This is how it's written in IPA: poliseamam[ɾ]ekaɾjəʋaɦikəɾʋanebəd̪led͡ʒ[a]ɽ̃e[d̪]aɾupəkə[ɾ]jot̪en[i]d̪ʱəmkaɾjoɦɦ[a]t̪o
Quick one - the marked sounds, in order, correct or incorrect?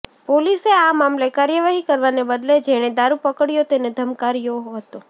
incorrect: l, incorrect: e, correct, incorrect: ɽ, incorrect: e, incorrect: ə

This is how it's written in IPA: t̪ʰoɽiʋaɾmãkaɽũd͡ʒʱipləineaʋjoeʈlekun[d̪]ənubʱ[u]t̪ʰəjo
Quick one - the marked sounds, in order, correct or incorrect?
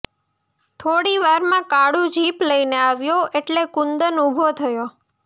correct, incorrect: o

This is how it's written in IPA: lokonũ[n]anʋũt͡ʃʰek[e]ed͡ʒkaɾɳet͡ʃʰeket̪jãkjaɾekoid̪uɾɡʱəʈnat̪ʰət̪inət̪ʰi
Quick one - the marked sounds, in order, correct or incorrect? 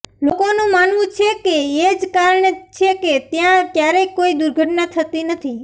incorrect: m, correct

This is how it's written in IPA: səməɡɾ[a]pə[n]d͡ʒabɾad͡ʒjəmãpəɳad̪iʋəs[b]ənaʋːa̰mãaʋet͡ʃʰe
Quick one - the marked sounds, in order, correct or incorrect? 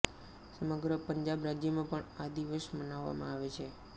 incorrect: ə, incorrect: ɲ, incorrect: m

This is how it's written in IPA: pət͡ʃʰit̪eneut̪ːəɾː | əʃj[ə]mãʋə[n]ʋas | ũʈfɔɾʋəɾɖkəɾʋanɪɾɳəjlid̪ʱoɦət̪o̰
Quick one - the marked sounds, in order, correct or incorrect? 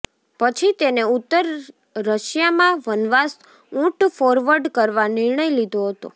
incorrect: a, correct

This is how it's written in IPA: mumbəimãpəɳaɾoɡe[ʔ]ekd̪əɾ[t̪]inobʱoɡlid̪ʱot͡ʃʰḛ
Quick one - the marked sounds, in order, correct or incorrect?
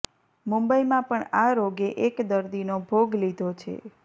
correct, incorrect: d̪

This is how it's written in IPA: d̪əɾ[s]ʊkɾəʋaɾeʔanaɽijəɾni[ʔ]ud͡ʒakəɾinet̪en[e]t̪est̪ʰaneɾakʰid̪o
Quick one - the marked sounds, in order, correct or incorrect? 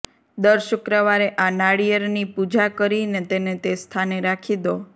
incorrect: ʃ, incorrect: p, correct

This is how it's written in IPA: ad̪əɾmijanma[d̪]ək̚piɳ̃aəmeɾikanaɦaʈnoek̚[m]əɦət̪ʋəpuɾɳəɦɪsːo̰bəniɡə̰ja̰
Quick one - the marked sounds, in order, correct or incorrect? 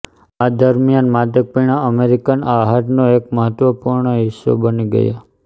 correct, correct

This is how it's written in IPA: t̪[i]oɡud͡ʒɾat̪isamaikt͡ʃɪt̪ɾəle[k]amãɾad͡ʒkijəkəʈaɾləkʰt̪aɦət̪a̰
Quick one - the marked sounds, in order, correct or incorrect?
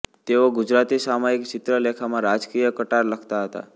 incorrect: e, incorrect: kʰ

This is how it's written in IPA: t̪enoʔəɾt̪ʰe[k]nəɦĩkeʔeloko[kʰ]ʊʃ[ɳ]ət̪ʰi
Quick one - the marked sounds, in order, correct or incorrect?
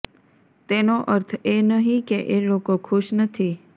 incorrect: none, correct, incorrect: n

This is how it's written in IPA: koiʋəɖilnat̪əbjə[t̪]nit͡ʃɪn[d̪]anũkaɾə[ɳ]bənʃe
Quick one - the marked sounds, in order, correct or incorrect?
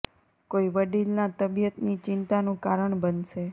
correct, incorrect: t̪, correct

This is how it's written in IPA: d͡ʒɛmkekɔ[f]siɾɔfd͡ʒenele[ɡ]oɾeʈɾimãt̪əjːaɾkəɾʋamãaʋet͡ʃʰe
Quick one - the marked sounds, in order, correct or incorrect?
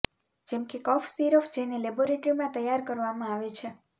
correct, incorrect: b

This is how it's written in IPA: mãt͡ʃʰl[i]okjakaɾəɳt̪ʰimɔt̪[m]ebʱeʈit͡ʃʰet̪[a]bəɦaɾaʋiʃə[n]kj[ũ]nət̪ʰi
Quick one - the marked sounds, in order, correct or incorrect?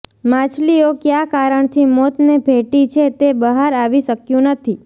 correct, incorrect: n, incorrect: e, incorrect: none, correct

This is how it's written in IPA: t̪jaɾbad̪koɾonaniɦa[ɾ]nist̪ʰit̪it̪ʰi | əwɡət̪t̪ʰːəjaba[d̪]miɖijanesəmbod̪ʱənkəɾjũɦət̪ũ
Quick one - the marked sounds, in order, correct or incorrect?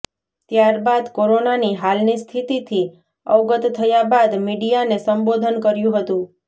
incorrect: l, correct

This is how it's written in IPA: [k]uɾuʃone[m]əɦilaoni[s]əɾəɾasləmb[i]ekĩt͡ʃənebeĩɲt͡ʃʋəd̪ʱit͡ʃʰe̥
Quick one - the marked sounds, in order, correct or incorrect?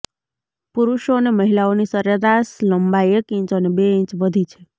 incorrect: p, correct, correct, incorrect: a

